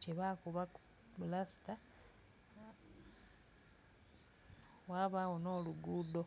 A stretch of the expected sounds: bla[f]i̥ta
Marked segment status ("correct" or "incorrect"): incorrect